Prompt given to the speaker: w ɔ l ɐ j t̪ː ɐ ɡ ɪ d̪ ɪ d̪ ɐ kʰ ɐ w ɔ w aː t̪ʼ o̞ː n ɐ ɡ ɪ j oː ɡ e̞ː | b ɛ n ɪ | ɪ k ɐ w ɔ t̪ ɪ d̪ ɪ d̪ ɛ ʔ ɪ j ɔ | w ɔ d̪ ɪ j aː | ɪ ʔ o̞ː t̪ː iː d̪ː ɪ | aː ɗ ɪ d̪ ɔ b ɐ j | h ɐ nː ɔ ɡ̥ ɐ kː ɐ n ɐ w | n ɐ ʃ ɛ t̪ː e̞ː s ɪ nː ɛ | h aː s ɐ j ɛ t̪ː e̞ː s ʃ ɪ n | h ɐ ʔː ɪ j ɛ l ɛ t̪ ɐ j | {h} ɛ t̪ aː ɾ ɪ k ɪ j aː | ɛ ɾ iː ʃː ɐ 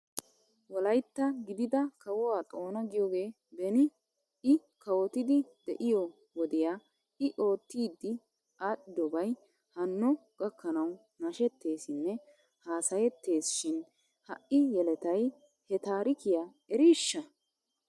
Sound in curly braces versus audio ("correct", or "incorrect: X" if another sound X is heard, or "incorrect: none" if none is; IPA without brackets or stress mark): correct